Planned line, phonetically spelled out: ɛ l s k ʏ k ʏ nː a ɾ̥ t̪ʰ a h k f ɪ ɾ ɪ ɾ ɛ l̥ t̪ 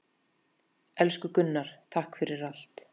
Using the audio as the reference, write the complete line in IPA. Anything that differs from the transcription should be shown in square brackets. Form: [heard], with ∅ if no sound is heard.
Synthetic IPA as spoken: ɛ l s k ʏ k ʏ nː a ɾ̥ t̪ʰ a h k f ɪ ɾ ɪ ɾ [a] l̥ t̪